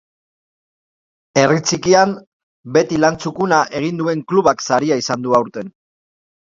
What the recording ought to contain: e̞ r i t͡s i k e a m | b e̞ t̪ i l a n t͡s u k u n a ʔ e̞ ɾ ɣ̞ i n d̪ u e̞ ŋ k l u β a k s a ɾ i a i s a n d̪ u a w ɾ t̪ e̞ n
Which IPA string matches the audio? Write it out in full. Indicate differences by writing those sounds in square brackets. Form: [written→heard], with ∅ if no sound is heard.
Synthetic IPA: e̞ r i t͡s i k [e→i] a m | b e̞ t̪ i l a n t͡s u k u n a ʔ e̞ [ɾ→∅] ɣ̞ i n d̪ u e̞ ŋ k l u β a k s a ɾ i a i s a n d̪ u a w ɾ t̪ e̞ n